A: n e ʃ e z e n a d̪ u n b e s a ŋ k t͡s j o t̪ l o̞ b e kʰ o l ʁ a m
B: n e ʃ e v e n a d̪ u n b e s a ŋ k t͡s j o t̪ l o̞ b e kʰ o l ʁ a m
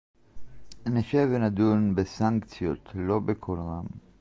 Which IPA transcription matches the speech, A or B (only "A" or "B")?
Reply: B